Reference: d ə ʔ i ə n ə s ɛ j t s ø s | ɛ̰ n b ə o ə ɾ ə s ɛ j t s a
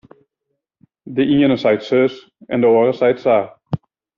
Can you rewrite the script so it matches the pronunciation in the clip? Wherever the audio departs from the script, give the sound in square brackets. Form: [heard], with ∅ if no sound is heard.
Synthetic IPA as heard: d ə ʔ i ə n ə s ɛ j t s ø s | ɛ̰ n [d] ə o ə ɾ ə s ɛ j t s a

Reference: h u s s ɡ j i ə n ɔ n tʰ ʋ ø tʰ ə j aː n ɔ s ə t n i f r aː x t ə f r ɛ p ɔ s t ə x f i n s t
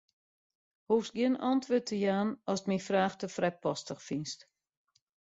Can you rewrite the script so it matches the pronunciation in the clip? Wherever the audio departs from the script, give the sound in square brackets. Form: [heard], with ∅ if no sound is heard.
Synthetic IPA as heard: h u [f] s ɡ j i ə n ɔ n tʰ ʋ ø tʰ ə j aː n ɔ s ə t [m] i f r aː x t ə f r ɛ p ɔ s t ə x f i n s t

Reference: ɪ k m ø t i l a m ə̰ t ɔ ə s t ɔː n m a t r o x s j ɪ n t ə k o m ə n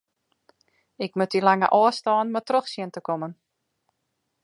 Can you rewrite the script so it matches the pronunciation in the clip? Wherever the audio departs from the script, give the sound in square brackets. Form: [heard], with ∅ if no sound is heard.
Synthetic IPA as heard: ɪ k m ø t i l a [ŋ] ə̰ [ʔ] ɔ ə s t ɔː n m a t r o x s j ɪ n t ə k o m ə n

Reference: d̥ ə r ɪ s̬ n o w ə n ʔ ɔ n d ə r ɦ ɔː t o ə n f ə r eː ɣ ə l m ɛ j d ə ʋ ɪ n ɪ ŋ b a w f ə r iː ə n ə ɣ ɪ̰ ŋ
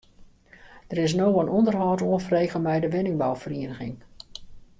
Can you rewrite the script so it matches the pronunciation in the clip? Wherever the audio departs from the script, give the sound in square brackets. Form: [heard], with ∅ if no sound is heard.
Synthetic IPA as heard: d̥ ə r ɪ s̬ n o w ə n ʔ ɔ n d ə r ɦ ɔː t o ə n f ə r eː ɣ ə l m ɛ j d ə ʋ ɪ n ɪ ŋ b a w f ə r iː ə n ə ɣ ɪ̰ ŋ

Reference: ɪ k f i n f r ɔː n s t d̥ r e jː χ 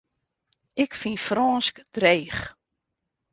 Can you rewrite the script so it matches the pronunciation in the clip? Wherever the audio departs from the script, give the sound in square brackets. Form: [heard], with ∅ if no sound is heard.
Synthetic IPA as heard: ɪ k f i n f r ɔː n s [k] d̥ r e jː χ

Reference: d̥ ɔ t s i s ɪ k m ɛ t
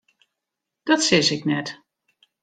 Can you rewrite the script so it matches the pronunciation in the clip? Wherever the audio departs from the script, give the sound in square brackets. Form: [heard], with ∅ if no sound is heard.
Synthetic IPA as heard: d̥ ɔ t s [ɪ] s ɪ k [n] ɛ t

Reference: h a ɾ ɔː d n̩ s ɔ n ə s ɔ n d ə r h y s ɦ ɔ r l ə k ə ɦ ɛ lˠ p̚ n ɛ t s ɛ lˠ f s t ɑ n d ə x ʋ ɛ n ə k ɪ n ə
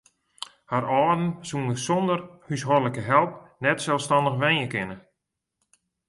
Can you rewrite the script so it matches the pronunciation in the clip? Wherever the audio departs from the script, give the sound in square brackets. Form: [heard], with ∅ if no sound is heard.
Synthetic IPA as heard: h a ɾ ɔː d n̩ s [u] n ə s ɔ n d ə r h y s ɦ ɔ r l ə k ə ɦ ɛ lˠ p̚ n ɛ t s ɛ lˠ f s t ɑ n d ə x ʋ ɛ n ə k ɪ n ə

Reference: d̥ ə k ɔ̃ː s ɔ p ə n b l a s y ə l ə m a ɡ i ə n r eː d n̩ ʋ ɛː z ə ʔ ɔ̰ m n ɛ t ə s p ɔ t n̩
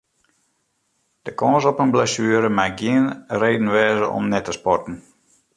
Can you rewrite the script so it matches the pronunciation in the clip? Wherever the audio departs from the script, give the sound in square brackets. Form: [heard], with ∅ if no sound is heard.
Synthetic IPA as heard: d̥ ə k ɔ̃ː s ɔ p ə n b l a s y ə [ɾ] ə m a ɡ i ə n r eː d n̩ ʋ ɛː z ə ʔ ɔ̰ m n ɛ t ə s p ɔ t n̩

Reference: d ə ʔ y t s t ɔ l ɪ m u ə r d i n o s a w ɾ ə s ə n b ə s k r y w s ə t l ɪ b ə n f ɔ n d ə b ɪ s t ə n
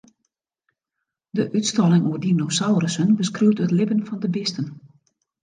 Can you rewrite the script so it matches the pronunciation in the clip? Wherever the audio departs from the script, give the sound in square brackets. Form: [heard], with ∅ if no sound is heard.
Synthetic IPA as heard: d ə ʔ y t s t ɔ l ɪ [ŋ] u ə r d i n o s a w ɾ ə s ə n b ə s k r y w [t] ə t l ɪ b ə n f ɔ n d ə b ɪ s t ə n

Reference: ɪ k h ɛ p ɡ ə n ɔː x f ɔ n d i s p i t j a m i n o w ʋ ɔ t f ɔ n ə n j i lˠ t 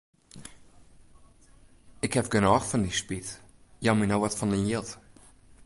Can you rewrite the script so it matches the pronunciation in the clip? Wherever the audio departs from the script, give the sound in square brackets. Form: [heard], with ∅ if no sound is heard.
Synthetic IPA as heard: ɪ k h ɛ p ɡ ə n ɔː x f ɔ n d i s p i t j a m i n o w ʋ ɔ t f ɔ n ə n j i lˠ t

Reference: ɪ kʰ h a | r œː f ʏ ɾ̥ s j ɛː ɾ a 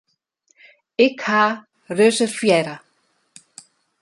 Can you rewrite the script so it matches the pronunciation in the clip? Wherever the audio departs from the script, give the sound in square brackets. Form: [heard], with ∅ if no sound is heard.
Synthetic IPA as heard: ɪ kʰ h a | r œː [s] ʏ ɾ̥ [f] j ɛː ɾ a

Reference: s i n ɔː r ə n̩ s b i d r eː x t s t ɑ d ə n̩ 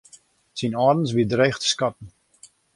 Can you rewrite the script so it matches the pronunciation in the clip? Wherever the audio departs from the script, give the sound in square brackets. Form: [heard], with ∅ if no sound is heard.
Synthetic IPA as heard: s i n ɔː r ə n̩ s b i d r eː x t s [k] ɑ [t] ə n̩

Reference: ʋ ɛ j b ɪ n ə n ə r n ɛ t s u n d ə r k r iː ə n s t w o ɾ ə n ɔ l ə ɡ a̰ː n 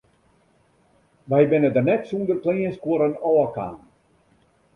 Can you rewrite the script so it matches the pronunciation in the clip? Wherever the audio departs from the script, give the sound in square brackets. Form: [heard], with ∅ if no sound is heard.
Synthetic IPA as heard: ʋ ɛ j b ɪ n ə [d] ə r n ɛ t s u n d ə r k [l] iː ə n s [k] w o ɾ ə n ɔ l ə [k] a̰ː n

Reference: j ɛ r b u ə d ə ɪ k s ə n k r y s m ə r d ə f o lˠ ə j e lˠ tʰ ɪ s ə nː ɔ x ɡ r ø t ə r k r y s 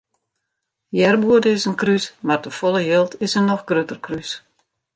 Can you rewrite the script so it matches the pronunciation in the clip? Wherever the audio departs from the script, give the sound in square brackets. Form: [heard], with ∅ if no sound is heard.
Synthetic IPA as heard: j ɛ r b u ə d ə ɪ [∅] s ə n k r y s m [a] r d ə f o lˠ ə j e lˠ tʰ ɪ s ə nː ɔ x ɡ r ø t ə r k r y s

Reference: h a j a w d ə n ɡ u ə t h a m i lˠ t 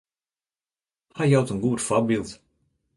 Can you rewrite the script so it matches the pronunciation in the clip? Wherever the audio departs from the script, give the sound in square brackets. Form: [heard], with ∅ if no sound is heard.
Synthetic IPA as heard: h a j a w [t] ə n ɡ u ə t [f] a [b] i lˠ t

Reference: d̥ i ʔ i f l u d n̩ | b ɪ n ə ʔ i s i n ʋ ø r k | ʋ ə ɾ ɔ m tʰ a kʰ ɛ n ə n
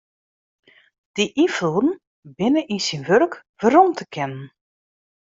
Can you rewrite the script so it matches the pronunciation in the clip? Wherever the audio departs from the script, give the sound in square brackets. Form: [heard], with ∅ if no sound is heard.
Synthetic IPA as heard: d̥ i ʔ i f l u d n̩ | b ɪ n ə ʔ i s i n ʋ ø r k | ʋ ə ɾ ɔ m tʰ [ə] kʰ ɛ n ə n

